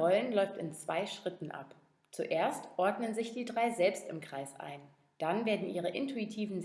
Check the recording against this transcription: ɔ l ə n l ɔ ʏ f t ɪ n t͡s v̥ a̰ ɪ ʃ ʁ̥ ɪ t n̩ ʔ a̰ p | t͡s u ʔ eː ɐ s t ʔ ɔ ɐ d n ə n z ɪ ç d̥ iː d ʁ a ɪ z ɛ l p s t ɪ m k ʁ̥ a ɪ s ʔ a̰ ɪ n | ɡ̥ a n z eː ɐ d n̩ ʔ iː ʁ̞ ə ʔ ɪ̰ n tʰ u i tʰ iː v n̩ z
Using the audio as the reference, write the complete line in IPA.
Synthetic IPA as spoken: ɔ l ə n l ɔ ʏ f t ɪ n t͡s v̥ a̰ ɪ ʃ ʁ̥ ɪ t n̩ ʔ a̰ p | t͡s u ʔ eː ɐ s t ʔ ɔ ɐ d n ə n z ɪ ç d̥ iː d ʁ a ɪ z ɛ l p s t ɪ m k ʁ̥ a ɪ s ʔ a̰ ɪ n | d̥ a n v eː ɐ d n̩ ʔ iː ʁ̞ ə ʔ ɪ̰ n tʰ u i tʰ iː v n̩ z

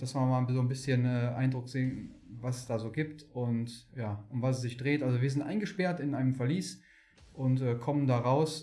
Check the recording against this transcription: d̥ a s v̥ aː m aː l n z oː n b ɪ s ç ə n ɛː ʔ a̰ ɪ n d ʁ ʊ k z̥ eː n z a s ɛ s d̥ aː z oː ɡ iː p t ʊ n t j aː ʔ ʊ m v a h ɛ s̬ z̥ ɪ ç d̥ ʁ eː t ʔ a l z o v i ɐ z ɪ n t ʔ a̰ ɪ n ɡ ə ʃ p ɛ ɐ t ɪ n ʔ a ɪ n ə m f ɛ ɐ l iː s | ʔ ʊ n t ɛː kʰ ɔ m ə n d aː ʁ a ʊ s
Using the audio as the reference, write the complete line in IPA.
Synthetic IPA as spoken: d̥ a s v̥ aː m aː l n z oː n b ɪ s ç ə n ɛː ʔ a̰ ɪ n d ʁ ʊ k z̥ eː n v a s ɛ s d̥ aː z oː ɡ iː p t ʊ n t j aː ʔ ʊ m v a s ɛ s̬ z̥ ɪ ç d̥ ʁ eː t ʔ a l z o v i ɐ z ɪ n t ʔ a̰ ɪ n ɡ ə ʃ p ɛ ɐ t ɪ n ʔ a ɪ n ə m f ɛ ɐ l iː s | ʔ ʊ n t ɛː kʰ ɔ m ə n d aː ʁ a ʊ s

